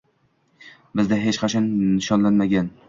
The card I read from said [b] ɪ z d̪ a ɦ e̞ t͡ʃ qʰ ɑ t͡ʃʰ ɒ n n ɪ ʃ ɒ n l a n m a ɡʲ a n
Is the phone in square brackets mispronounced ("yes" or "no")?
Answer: no